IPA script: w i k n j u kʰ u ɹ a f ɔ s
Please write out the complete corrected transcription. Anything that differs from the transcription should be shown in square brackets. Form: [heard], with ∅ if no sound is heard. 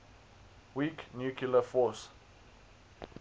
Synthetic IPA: w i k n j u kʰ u [l] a f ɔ s